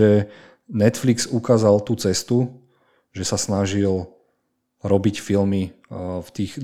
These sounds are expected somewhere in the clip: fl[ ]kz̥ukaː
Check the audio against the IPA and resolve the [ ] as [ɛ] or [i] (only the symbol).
i